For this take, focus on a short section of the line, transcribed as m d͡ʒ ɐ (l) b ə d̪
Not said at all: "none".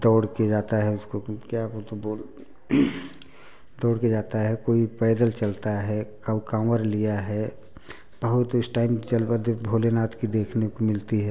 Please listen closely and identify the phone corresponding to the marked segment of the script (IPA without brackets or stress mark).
l